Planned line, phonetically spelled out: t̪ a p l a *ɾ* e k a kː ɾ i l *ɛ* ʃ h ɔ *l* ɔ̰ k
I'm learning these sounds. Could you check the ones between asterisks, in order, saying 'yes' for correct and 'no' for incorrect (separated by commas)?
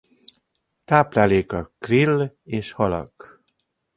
no, no, yes